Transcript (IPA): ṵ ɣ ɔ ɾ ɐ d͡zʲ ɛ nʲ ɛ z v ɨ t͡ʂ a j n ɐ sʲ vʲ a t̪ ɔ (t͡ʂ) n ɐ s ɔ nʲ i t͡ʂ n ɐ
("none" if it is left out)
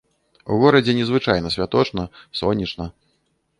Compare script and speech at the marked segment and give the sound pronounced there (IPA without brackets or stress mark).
t͡ʂ